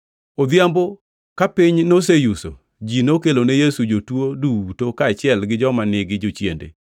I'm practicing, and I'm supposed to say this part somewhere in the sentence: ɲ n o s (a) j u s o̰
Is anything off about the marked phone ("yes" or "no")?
yes